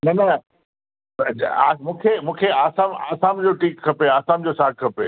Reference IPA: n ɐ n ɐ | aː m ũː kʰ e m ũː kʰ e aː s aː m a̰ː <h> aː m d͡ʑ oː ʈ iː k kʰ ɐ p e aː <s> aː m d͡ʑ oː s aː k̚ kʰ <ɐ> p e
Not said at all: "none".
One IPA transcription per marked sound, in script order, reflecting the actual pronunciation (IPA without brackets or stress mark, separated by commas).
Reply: s, s, ɐ